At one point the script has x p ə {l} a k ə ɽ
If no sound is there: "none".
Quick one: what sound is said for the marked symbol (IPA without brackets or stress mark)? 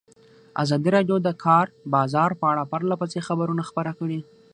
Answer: ɾ